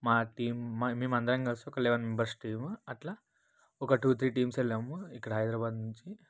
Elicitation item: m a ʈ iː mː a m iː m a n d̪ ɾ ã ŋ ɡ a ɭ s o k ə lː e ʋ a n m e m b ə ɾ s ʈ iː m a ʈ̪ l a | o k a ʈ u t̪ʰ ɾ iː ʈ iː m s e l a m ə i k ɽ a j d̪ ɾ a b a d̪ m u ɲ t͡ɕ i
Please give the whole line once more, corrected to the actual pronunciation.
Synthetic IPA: m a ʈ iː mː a m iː m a n d̪ ɾ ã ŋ ɡ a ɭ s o k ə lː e ʋ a n m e m b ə ɾ s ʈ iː m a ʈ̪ l a | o k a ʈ u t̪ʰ ɾ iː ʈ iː m s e l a m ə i k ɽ a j d̪ ɾ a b a d̪ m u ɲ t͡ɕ i

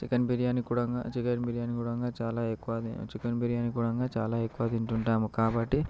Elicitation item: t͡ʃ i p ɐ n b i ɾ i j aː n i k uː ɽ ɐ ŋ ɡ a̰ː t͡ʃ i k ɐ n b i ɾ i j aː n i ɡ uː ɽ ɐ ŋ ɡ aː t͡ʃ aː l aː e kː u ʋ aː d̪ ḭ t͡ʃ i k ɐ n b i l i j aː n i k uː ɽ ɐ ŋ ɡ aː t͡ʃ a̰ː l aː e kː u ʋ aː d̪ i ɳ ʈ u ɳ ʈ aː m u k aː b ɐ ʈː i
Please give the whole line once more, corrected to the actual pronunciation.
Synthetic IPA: t͡ʃ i k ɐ n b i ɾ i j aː n i k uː ɽ ɐ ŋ ɡ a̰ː t͡ʃ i k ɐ n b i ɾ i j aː n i k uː ɽ ɐ ŋ ɡ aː t͡ʃ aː l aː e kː u ʋ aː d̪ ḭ t͡ʃ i k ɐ n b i ɾ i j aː n i k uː ɽ ɐ ŋ ɡ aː t͡ʃ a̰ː l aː e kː u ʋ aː d̪ i ɳ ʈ u ɳ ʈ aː m u k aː b ɐ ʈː i

